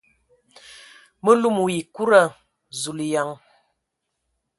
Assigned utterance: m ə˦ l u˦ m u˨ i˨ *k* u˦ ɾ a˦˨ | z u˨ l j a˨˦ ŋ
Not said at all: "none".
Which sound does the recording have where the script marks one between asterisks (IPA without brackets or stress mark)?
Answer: k